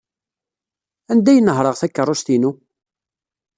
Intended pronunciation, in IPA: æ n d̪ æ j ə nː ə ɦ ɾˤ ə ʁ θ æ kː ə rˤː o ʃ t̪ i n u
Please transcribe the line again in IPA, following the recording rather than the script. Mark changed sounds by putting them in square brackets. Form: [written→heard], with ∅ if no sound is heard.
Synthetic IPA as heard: æ n d̪ æ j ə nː ə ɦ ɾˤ ə ʁ θ æ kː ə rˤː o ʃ t̪ i n u